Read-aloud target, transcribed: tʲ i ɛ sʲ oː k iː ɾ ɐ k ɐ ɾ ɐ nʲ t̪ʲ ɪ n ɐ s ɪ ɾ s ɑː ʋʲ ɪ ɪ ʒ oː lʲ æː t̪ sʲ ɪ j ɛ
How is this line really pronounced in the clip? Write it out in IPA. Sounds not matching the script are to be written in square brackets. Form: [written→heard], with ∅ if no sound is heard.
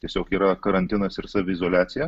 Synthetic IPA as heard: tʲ i ɛ sʲ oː k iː ɾ ɐ k ɐ ɾ ɐ nʲ t̪ʲ ɪ n ɐ s ɪ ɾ s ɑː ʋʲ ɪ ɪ [ʒ→z] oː lʲ æː t̪ sʲ ɪ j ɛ